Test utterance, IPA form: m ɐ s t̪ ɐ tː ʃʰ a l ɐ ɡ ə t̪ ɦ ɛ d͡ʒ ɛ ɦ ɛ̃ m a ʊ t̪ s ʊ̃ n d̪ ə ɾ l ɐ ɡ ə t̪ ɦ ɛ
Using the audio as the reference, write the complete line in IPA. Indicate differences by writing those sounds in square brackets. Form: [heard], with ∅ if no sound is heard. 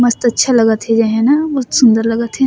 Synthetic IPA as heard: m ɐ s t̪ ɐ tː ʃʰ a l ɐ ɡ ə t̪ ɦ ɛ d͡ʒ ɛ ɦ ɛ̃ [n] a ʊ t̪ s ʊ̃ n d̪ ə ɾ l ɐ ɡ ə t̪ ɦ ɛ